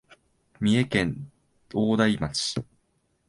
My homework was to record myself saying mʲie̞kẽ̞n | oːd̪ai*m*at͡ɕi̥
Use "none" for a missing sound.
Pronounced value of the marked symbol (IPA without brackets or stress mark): m